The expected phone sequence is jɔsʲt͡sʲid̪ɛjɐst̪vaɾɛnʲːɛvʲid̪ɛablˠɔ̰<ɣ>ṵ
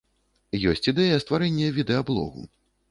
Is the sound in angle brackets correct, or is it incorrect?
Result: correct